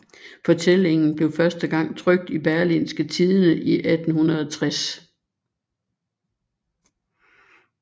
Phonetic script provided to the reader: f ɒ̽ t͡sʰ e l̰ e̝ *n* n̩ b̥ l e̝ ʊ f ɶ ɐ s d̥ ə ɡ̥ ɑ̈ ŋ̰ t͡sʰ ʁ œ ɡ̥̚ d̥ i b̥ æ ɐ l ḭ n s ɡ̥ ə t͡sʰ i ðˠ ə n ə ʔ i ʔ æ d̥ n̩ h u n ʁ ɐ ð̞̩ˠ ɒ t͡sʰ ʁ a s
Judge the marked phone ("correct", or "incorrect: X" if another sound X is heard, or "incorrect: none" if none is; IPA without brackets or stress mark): incorrect: ŋ